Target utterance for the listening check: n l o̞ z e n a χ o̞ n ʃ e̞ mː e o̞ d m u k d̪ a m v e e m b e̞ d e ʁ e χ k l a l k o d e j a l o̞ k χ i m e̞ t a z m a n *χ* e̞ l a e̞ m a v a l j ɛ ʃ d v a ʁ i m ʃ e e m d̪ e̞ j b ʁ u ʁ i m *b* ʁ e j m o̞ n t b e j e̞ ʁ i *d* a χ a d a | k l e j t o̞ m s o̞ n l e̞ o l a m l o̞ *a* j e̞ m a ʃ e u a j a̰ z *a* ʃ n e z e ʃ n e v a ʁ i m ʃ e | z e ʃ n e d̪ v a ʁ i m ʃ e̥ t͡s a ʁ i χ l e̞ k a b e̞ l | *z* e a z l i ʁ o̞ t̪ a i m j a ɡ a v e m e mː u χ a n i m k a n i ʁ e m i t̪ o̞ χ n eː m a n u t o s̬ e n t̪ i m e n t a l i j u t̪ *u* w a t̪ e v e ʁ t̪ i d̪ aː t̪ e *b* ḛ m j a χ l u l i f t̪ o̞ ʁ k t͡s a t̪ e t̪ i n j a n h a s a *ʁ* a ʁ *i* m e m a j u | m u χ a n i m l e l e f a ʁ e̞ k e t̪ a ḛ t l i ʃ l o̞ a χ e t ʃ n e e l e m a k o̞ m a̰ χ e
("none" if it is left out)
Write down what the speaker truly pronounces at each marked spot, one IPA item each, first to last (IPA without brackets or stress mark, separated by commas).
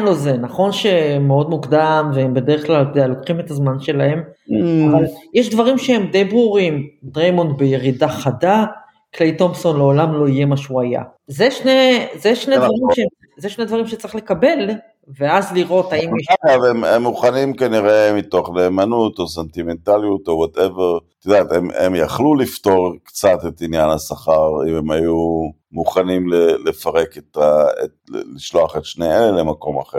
ʃ, d, d, i, e, v, o, m, χ, i